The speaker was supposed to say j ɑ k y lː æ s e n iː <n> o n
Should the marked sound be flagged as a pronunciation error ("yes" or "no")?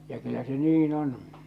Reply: no